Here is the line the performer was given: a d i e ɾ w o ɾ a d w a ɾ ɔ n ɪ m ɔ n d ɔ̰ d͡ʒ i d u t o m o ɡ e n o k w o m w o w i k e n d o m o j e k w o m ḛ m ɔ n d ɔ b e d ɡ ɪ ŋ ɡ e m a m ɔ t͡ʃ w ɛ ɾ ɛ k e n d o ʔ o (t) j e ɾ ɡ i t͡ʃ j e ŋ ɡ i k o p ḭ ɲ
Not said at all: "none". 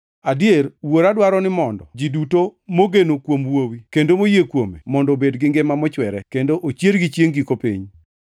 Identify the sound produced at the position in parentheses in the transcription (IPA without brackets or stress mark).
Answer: t͡ʃ